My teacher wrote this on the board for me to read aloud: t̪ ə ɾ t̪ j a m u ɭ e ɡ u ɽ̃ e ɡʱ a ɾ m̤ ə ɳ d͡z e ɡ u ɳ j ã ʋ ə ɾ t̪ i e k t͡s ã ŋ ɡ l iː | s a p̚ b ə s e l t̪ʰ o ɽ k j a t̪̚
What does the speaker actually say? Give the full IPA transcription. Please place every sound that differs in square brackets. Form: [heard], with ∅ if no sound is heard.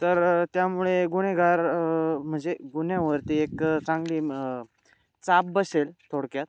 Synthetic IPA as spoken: t̪ ə ɾ t̪ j a m u ɭ e ɡ u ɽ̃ e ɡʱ a ɾ m̤ ə ɳ d͡z e ɡ u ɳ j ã ʋ ə ɾ t̪ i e k t͡s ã ŋ ɡ l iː | [t͡s] a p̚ b ə s e l t̪ʰ o ɽ k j a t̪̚